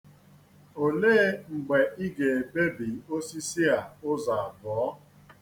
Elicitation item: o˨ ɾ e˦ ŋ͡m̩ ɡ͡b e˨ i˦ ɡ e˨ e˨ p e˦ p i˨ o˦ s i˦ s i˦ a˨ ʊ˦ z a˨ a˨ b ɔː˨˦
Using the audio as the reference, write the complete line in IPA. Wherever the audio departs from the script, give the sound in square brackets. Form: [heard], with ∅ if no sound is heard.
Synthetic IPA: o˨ [l] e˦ ŋ͡m̩ ɡ͡b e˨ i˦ ɡ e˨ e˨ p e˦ [b] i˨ o˦ s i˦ s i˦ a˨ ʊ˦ z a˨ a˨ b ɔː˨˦